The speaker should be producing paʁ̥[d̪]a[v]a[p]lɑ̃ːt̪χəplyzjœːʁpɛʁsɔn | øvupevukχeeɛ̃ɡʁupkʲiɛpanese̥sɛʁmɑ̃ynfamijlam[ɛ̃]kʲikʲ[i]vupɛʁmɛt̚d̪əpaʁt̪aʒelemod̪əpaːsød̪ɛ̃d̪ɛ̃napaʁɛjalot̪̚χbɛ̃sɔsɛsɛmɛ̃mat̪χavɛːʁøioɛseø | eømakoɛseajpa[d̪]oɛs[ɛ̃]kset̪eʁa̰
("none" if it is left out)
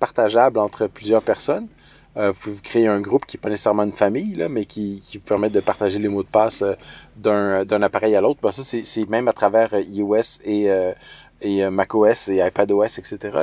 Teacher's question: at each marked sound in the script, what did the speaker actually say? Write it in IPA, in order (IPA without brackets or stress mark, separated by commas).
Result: t̪, ʒ, b, ɛ, i, d̪, ɛ